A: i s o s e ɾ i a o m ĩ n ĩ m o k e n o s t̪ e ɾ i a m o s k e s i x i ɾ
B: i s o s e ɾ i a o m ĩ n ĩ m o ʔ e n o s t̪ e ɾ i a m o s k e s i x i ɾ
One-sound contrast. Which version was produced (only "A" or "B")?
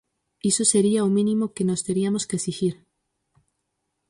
A